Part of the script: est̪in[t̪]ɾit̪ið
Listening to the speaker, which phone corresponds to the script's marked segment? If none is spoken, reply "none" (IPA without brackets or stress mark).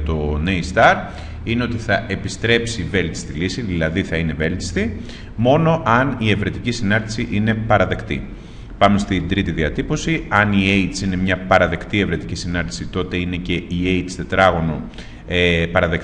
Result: d̪